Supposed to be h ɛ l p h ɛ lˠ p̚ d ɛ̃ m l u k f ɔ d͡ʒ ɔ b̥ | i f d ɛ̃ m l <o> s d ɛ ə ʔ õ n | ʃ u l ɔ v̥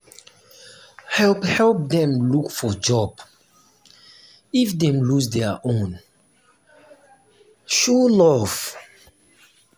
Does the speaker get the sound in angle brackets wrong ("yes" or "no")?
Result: yes